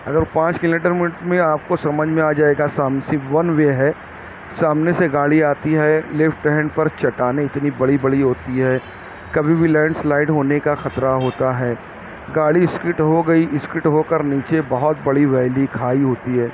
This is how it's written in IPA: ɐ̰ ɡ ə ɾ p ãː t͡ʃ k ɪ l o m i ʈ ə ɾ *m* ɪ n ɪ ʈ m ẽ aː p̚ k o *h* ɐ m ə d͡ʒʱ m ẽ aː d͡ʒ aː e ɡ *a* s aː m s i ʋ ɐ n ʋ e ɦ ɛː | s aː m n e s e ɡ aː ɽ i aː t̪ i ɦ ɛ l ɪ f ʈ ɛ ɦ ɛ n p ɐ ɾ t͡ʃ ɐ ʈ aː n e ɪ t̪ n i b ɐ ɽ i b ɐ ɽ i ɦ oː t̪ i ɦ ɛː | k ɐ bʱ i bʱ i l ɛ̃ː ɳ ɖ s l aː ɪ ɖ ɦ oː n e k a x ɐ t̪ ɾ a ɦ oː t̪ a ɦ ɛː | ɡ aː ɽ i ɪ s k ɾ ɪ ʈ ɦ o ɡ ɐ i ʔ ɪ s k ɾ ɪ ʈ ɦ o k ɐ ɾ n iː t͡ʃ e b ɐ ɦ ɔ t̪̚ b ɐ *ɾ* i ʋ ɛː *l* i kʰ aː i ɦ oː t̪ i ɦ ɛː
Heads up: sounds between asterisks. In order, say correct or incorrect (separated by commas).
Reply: correct, incorrect, correct, incorrect, correct